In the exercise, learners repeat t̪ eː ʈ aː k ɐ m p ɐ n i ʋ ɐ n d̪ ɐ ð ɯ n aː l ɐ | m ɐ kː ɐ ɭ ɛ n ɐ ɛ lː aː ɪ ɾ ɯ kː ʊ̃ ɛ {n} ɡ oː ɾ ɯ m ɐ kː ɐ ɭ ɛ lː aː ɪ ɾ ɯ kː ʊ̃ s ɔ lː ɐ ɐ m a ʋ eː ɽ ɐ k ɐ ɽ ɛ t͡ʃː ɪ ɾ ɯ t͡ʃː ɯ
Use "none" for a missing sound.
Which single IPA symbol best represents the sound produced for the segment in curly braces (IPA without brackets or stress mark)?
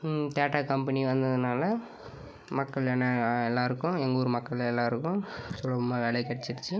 ŋ